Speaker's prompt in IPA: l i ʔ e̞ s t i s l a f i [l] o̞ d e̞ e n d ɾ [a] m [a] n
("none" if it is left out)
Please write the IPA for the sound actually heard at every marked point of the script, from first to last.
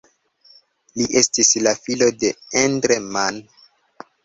l, e, a

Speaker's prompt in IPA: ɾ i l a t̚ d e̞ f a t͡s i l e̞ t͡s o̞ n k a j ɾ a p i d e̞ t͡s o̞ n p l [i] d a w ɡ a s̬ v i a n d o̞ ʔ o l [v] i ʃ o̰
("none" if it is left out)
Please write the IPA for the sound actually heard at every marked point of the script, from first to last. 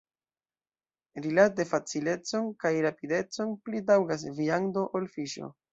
i, f

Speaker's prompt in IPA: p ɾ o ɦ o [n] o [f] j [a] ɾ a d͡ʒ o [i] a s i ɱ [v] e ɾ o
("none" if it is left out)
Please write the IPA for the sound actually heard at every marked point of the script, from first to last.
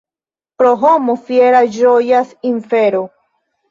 m, f, e, j, f

